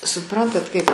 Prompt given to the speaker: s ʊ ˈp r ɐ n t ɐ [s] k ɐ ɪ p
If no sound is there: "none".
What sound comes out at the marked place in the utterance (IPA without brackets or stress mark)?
t